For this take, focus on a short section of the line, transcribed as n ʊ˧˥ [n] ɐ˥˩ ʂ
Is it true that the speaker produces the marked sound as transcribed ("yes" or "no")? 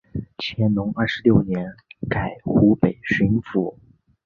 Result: no